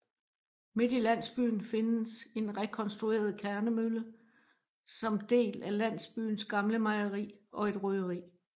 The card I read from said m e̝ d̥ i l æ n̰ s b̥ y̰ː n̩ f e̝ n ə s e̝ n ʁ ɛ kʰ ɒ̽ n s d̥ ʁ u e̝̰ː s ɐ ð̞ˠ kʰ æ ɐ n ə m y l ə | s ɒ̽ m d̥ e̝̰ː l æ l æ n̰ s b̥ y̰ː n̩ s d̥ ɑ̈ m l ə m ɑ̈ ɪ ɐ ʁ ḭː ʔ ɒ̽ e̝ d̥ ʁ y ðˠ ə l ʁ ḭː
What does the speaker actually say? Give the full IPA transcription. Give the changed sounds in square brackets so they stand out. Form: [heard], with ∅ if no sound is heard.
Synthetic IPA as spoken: m e̝ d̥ i l æ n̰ s b̥ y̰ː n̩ f e̝ n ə s e̝ n ʁ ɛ kʰ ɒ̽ n s d̥ ʁ u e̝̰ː [∅] ɐ ð̞ˠ kʰ æ ɐ n ə m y l ə | s ɒ̽ m d̥ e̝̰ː l æ l æ n̰ s b̥ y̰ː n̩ s [ɡ̥] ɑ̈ m l ə m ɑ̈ ɪ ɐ ʁ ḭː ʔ ɒ̽ e̝ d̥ ʁ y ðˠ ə [∅] ʁ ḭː